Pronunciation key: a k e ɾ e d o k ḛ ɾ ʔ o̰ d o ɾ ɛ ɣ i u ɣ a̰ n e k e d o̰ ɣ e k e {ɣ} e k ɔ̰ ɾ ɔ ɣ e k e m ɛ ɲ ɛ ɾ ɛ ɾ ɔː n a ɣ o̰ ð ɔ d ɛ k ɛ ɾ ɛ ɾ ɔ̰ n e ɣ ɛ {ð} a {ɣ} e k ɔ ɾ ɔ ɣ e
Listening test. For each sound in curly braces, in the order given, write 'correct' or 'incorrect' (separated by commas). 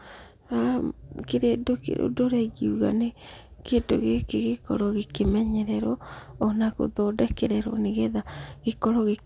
correct, correct, correct